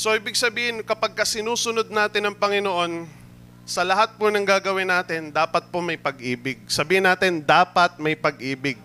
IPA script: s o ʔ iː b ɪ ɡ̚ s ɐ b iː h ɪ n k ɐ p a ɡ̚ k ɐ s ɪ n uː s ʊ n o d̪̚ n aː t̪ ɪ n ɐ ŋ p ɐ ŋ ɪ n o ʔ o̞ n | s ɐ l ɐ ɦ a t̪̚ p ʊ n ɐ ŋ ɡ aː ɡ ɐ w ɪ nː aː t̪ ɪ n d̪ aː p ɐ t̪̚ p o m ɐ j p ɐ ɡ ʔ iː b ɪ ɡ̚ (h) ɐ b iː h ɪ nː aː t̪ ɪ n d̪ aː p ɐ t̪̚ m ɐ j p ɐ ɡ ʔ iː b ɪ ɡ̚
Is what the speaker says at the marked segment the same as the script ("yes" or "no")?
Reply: no